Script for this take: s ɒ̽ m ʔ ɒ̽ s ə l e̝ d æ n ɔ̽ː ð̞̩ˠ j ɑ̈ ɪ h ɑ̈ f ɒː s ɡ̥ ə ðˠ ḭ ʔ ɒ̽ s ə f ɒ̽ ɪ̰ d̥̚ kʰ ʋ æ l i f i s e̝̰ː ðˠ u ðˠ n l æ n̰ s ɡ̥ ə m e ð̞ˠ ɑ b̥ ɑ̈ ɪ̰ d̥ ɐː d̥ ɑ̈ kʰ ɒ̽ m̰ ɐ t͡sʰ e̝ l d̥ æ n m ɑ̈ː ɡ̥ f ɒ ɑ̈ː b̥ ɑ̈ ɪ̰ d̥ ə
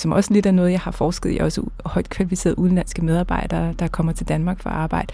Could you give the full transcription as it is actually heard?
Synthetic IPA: s ɒ̽ m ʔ ɒ̽ s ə l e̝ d æ n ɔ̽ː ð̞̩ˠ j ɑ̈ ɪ h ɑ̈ f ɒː s ɡ̥ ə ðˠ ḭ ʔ ɒ̽ s ə h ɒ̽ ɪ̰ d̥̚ kʰ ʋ æ l i f i s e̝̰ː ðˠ u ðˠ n l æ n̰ s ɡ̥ ə m e ð̞ˠ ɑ b̥ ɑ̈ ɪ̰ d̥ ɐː d̥ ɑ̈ kʰ ɒ̽ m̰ ɐ t͡sʰ e̝ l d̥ æ n m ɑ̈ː ɡ̥ f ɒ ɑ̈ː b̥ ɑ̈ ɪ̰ d̥ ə